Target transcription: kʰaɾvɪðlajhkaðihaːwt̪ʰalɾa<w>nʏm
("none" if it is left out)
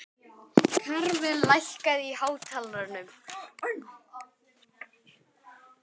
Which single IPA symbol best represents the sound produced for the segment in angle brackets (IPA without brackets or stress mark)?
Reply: none